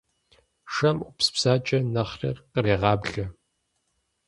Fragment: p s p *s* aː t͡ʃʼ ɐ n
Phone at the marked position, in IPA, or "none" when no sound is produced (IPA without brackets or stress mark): s